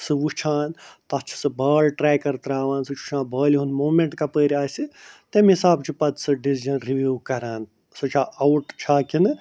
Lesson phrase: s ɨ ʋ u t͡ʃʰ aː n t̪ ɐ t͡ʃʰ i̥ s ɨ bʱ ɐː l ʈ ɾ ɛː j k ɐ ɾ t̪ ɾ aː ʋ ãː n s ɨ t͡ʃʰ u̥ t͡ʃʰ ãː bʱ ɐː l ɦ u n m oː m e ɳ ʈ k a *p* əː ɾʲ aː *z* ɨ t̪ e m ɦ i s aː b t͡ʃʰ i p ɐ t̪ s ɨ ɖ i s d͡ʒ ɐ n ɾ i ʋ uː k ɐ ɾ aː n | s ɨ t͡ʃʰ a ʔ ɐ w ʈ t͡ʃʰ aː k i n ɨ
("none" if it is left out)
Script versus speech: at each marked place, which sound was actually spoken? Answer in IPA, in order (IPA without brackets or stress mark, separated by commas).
p, s